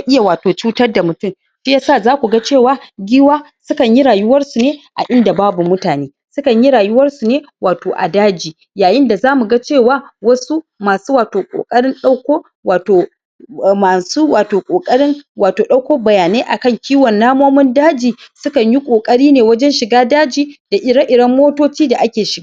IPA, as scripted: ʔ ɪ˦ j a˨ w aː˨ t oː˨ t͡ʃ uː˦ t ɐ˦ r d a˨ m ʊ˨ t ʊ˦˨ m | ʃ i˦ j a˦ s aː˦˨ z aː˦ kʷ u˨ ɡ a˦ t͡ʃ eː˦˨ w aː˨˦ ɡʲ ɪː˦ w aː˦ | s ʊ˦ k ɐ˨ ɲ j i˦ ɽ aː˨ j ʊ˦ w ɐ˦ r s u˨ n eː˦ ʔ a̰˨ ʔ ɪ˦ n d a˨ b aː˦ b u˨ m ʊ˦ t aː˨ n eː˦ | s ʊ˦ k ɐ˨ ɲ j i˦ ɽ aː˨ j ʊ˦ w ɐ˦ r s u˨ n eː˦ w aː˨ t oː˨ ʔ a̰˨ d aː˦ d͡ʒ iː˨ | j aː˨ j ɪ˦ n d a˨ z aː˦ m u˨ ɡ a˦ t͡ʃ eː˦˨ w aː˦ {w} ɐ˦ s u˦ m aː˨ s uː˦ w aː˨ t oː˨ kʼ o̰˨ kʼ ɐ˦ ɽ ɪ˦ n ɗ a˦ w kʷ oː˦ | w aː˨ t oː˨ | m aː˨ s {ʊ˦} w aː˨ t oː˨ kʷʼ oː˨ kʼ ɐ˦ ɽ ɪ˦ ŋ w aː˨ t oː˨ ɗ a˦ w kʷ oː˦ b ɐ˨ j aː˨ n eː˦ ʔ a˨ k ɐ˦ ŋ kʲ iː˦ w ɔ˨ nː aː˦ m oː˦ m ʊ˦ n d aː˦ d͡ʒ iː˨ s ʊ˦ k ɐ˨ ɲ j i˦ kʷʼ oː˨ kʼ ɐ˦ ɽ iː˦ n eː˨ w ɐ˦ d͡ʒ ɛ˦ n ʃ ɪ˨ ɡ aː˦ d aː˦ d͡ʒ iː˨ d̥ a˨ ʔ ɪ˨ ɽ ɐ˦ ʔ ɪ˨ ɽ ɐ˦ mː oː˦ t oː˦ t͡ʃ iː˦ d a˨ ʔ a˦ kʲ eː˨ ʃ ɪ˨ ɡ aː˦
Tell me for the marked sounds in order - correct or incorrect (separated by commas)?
correct, incorrect